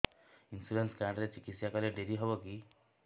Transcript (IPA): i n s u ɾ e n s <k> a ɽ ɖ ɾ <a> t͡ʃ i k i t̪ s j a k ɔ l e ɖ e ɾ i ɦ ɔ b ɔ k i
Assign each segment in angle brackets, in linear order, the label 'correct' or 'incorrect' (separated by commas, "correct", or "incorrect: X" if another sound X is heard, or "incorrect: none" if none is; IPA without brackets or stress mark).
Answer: correct, incorrect: e